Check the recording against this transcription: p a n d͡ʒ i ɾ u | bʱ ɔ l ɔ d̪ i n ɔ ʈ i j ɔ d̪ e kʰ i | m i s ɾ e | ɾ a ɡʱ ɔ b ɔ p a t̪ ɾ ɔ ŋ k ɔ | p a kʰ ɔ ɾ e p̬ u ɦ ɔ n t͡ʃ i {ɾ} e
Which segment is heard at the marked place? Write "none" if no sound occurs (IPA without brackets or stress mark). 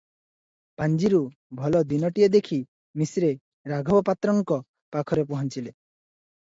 l